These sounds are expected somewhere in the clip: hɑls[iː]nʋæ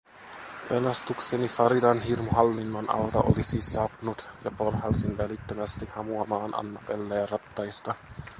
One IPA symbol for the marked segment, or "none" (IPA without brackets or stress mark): i